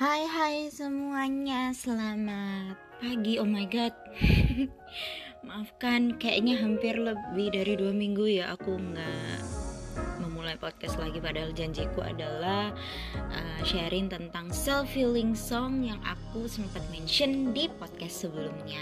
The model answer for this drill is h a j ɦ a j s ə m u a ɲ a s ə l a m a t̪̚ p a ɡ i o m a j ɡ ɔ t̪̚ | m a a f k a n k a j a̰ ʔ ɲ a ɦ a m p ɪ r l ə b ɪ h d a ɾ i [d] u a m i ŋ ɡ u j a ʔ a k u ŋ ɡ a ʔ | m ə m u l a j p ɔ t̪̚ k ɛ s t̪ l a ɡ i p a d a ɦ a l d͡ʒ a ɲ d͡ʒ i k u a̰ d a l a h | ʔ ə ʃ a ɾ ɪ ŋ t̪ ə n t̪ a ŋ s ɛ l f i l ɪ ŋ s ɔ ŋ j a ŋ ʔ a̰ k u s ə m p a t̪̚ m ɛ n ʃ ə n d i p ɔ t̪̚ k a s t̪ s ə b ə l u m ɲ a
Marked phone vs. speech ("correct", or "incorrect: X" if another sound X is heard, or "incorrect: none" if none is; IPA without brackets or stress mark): correct